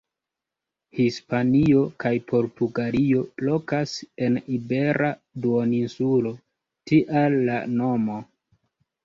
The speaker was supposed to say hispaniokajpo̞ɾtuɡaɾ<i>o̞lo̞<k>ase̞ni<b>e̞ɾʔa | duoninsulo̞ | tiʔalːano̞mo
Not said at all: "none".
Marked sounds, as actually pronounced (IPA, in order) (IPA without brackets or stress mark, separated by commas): i, k, b